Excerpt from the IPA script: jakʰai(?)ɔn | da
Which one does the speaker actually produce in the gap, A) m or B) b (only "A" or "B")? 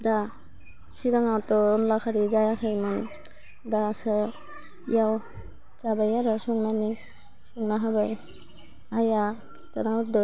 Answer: A